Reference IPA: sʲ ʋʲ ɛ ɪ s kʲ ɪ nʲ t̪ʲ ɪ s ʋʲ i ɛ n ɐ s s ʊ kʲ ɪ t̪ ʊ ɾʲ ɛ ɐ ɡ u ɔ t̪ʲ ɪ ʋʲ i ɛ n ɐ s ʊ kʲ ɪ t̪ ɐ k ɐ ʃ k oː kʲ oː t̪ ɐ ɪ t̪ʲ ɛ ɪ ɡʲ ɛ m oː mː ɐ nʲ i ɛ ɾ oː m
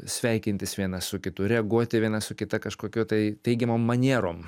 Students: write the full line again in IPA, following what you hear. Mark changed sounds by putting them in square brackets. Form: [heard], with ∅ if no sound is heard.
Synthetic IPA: sʲ ʋʲ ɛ ɪ [∅] kʲ ɪ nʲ t̪ʲ ɪ s ʋʲ i ɛ n ɐ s s ʊ kʲ ɪ t̪ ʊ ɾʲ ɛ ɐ ɡ u ɔ t̪ʲ ɪ ʋʲ i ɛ n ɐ s ʊ kʲ ɪ t̪ ɐ k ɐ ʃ k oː kʲ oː t̪ ɐ ɪ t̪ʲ ɛ ɪ ɡʲ ɛ m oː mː ɐ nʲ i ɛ ɾ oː m